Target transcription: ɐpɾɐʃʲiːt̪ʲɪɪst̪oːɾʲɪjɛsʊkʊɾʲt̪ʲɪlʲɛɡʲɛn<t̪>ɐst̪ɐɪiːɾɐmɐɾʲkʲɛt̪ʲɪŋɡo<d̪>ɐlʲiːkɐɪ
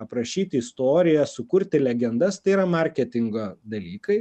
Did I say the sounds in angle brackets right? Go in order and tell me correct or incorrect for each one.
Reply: incorrect: d̪, correct

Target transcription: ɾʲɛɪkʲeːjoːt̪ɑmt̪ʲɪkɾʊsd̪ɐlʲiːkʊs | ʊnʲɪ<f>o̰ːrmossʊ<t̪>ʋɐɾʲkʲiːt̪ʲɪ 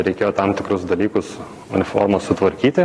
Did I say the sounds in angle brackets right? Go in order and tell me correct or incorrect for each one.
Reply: correct, correct

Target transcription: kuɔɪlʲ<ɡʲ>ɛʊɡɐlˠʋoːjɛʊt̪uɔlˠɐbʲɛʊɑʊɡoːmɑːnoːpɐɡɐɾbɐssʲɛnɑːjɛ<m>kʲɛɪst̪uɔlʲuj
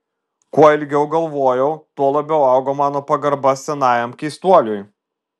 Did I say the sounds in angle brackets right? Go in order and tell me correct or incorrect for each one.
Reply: correct, correct

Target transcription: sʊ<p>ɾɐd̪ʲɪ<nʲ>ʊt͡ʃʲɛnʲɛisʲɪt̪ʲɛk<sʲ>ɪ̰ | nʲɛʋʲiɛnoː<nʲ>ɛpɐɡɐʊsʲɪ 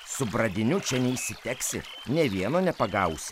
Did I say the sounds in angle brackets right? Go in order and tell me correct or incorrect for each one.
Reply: incorrect: b, correct, correct, correct

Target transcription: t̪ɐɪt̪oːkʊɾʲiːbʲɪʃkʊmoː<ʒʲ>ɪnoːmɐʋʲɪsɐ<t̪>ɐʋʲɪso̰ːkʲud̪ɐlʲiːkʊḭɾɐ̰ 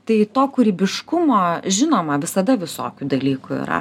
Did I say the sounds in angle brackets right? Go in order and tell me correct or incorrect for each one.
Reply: correct, incorrect: d̪

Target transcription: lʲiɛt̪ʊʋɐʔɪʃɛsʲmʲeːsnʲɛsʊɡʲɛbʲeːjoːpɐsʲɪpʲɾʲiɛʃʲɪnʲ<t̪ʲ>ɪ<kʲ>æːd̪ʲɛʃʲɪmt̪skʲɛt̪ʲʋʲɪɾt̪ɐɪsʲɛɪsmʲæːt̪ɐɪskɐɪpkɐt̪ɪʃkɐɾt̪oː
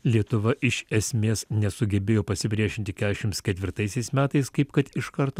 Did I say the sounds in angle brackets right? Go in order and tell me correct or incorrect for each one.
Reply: correct, correct

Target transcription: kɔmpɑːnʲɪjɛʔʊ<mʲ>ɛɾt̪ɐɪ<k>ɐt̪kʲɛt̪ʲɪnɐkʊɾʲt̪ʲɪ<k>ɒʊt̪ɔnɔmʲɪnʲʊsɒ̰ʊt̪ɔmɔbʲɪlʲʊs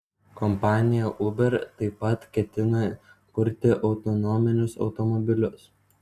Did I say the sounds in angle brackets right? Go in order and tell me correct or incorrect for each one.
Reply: incorrect: bʲ, incorrect: p, incorrect: ʔ

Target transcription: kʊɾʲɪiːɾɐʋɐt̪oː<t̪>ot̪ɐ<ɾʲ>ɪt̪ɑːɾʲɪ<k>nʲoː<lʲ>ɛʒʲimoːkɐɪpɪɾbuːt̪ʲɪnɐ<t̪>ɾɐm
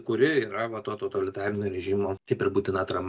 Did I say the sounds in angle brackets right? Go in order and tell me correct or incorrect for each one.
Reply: correct, incorrect: lʲ, incorrect: none, incorrect: ɾʲ, correct

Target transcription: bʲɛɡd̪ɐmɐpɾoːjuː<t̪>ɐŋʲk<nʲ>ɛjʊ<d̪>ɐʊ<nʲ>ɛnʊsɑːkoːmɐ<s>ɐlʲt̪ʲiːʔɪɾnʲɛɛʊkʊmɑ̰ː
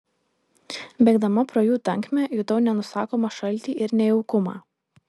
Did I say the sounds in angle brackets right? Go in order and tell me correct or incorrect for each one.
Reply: correct, incorrect: mʲ, incorrect: t̪, correct, incorrect: ʃ

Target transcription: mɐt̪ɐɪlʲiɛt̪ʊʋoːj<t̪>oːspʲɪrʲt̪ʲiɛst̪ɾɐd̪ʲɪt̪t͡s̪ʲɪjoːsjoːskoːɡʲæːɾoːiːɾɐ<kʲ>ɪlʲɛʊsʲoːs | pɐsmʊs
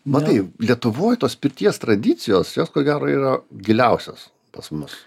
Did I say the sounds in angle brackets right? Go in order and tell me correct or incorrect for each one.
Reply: correct, incorrect: ɡʲ

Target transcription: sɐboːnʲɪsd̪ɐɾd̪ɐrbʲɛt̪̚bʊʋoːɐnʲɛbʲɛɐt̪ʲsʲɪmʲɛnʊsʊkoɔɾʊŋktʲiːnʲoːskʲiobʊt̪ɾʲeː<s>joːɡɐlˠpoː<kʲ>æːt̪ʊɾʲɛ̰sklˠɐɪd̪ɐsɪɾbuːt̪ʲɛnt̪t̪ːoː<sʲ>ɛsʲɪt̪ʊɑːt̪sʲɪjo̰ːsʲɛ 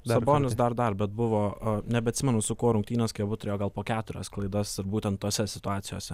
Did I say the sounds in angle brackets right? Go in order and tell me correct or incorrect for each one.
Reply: incorrect: none, correct, correct

